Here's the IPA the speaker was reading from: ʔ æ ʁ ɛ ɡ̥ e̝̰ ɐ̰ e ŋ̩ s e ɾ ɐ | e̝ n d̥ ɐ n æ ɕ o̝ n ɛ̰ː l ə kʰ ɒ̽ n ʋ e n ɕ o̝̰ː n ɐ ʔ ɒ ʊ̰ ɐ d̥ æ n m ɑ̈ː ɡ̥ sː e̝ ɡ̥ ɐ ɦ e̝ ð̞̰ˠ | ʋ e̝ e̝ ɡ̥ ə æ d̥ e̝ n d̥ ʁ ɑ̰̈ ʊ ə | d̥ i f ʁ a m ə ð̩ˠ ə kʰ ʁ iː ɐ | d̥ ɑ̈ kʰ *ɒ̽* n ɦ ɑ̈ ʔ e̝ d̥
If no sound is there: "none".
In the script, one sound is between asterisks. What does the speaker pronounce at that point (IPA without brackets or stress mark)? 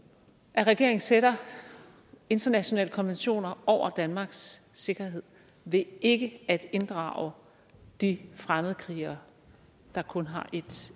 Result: ɔ̽